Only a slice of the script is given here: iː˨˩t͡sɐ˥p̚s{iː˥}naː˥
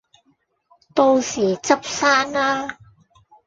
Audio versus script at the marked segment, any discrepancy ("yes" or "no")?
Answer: yes